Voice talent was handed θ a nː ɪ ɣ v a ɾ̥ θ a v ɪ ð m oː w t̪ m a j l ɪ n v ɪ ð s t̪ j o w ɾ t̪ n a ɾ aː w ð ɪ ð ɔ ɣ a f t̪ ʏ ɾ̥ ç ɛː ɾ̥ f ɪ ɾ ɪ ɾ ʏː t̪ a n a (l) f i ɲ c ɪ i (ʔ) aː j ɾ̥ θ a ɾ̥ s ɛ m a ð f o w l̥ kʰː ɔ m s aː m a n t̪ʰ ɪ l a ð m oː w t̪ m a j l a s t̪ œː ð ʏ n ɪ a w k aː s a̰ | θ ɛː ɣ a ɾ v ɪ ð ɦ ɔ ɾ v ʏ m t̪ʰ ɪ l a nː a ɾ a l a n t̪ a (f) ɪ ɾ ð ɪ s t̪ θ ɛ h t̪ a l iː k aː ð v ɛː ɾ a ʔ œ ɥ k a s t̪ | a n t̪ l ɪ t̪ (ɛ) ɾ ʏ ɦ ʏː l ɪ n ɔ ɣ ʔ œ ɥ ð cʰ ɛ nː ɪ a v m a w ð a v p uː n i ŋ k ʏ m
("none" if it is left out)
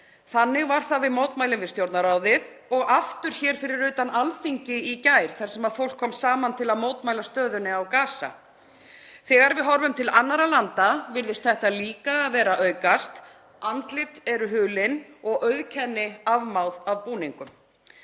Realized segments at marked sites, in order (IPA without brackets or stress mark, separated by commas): l, c, v, ɛ